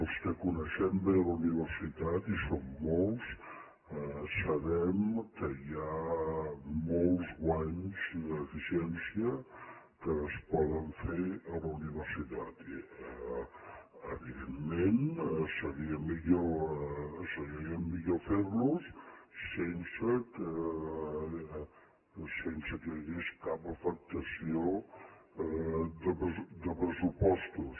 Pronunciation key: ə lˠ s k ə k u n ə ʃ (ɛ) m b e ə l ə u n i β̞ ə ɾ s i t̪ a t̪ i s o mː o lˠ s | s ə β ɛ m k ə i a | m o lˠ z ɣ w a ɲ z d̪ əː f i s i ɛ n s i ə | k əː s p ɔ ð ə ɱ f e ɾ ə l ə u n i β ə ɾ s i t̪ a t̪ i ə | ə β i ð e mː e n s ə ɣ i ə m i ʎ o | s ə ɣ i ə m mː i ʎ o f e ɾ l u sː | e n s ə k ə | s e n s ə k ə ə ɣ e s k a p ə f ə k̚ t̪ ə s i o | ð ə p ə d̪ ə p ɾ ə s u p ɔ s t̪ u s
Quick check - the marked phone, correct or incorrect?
correct